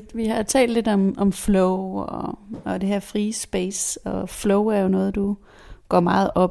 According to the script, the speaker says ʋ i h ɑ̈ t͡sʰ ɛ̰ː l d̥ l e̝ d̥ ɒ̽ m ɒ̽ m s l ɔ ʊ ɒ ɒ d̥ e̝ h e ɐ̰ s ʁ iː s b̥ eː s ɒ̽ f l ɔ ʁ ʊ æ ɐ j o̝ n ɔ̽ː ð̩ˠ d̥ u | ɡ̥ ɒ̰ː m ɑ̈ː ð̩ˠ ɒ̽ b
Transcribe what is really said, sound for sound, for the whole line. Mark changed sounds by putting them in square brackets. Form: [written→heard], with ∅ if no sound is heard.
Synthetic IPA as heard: ʋ i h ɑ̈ t͡sʰ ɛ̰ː l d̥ l e̝ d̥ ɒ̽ m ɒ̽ m [s→f] l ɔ ʊ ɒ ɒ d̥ e̝ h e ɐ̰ [s→f] ʁ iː s b̥ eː s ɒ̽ f l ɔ [ʁ→∅] ʊ æ ɐ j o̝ n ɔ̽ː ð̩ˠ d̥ u | ɡ̥ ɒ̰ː m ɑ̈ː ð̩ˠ ɒ̽ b